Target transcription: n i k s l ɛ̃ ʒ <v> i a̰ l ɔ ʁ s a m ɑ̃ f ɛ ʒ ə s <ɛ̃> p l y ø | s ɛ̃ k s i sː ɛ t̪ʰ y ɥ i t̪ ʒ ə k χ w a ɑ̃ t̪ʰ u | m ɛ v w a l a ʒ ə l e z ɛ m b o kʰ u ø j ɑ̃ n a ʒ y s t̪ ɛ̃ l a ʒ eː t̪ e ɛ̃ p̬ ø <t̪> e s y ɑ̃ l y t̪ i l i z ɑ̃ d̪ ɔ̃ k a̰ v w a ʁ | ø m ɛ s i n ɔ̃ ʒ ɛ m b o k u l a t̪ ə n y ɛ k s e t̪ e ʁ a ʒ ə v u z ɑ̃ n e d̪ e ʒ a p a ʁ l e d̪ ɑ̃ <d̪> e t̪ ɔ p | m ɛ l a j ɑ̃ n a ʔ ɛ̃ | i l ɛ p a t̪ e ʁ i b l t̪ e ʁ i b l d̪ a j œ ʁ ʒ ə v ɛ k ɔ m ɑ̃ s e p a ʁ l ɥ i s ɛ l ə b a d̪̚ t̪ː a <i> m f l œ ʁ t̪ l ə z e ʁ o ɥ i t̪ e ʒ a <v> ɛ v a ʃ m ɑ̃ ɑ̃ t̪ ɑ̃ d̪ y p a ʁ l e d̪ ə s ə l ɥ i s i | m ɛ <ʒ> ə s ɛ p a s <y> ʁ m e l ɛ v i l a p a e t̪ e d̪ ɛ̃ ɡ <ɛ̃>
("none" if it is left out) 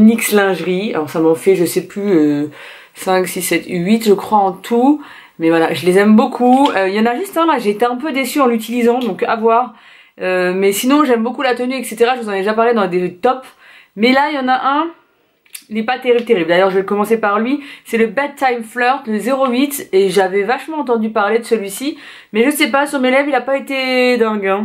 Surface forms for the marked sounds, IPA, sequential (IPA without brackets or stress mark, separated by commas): ʁ, ɛ, d̪, d̪, j, v, ʒ, y, ɛ̃